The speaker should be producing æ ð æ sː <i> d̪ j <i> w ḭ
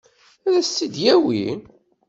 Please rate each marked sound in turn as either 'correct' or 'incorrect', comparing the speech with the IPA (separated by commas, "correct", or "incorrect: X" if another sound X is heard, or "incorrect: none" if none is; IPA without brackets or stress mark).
correct, incorrect: æ